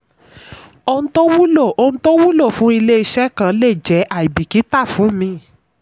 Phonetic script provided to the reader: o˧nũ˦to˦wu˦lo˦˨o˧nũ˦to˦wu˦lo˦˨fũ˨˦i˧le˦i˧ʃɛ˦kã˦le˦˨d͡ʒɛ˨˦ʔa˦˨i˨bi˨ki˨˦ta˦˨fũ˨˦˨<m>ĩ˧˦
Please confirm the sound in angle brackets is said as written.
yes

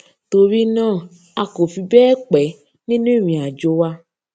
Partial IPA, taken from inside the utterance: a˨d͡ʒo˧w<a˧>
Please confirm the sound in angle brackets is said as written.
yes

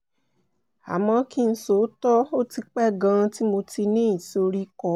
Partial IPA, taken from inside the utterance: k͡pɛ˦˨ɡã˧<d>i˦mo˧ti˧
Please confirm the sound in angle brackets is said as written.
no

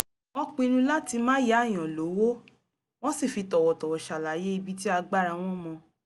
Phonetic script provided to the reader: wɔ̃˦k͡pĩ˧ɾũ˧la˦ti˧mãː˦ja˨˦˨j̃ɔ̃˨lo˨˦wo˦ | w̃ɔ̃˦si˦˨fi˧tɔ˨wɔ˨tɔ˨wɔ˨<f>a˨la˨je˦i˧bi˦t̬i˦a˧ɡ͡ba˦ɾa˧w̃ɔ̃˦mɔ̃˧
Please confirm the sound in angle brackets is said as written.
no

